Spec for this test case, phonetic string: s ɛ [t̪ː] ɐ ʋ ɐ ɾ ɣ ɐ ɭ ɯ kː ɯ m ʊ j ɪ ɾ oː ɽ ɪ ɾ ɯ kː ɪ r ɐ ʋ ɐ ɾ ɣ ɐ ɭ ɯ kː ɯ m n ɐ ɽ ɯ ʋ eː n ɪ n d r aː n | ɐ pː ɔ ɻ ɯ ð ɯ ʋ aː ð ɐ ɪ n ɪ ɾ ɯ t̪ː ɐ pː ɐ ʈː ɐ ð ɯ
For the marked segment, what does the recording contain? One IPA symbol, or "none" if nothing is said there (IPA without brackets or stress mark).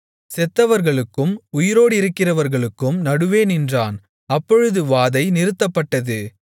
t̪ː